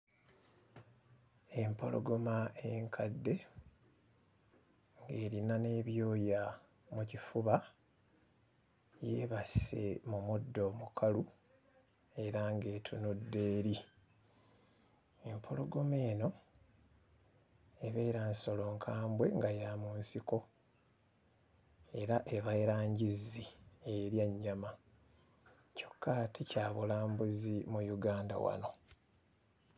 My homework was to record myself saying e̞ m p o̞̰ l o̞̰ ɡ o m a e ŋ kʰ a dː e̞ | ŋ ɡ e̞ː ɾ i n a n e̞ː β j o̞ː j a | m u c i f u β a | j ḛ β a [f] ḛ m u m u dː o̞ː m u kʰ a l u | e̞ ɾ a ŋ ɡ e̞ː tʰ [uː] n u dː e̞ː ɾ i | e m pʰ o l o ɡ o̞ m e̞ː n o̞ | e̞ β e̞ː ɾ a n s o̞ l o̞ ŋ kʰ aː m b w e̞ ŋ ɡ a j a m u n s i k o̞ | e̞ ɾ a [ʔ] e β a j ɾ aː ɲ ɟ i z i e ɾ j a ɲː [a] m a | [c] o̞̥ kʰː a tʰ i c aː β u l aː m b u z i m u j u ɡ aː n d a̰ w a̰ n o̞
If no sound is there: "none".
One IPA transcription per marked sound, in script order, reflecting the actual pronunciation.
s, u, ʔ, a, c

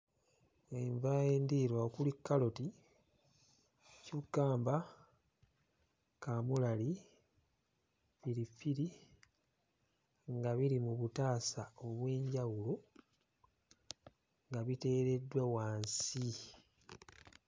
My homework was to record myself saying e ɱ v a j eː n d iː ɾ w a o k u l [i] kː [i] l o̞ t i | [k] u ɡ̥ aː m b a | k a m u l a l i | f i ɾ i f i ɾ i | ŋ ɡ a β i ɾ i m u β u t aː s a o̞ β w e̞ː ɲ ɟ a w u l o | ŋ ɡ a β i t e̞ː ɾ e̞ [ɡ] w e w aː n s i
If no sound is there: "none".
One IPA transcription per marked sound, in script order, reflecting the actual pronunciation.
i, a, c, d

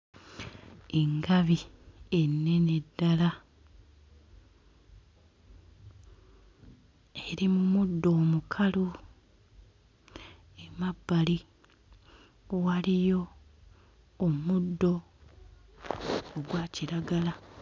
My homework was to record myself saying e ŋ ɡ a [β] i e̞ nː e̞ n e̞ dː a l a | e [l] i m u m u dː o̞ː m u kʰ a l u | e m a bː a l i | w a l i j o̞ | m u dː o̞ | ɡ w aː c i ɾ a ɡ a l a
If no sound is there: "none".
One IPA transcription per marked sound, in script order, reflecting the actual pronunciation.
β, ɾ

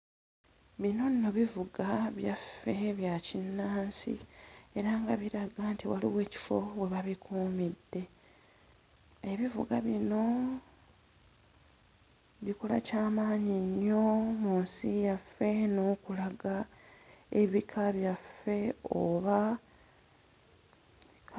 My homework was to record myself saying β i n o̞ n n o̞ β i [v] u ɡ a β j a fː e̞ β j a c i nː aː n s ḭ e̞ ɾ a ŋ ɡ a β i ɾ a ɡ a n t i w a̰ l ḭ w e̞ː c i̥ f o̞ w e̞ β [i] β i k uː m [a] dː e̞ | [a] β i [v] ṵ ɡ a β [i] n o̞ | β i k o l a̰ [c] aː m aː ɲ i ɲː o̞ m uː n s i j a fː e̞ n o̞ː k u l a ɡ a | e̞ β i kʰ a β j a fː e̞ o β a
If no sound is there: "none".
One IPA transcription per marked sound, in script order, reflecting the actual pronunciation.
v, a, i, e, v, i, c

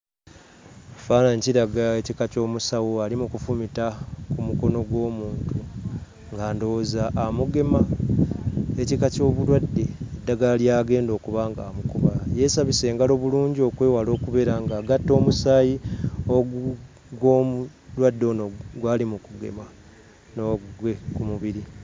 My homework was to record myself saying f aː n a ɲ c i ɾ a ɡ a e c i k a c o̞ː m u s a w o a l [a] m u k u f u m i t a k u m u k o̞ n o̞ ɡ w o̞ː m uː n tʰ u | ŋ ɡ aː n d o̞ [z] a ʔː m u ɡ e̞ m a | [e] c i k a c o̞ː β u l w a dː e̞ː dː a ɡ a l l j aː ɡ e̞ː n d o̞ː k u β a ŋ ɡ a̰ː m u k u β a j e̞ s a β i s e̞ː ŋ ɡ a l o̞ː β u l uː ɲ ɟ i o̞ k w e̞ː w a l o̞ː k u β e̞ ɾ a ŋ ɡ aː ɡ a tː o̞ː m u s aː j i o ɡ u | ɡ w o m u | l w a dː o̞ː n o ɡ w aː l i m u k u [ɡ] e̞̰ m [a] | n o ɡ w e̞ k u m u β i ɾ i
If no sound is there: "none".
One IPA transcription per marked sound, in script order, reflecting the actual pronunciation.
i, z, e, ɡ, a

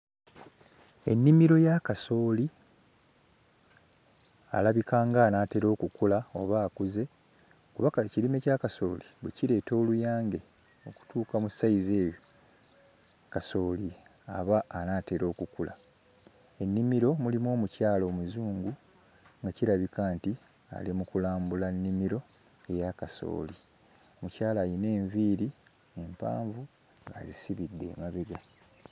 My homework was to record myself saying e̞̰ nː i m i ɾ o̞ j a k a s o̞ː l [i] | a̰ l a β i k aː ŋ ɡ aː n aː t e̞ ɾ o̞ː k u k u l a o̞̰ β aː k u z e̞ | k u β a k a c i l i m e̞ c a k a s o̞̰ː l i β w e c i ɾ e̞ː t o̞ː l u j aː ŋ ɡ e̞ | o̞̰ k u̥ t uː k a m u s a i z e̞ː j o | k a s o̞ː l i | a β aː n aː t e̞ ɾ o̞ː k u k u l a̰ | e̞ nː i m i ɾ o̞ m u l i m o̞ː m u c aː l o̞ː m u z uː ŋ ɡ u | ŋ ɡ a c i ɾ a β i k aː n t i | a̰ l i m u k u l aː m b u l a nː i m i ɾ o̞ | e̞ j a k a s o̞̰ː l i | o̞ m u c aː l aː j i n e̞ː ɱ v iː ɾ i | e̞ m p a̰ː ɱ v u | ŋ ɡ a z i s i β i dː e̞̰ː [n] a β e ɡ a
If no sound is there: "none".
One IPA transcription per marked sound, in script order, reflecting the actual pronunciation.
i, m

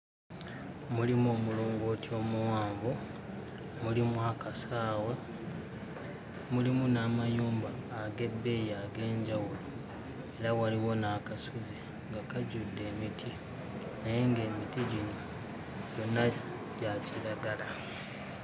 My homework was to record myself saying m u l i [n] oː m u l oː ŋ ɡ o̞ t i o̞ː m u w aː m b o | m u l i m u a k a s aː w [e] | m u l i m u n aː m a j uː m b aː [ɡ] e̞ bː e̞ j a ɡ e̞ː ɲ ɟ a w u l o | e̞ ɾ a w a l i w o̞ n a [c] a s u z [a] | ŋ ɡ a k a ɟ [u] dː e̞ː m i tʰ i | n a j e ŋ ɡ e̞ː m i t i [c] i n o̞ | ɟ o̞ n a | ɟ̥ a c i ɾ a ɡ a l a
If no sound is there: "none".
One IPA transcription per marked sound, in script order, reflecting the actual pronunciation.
m, e, ɡ, k, i, u, ɟ

